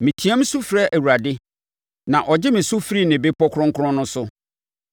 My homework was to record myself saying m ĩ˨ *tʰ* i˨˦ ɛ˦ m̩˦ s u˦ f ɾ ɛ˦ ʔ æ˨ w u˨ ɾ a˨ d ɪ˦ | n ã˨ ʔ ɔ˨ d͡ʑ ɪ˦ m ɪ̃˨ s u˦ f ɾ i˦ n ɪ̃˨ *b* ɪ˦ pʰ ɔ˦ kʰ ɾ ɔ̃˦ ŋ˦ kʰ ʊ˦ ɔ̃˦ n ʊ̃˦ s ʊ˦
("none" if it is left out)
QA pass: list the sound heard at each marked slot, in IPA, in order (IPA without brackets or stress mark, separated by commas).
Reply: tʰ, b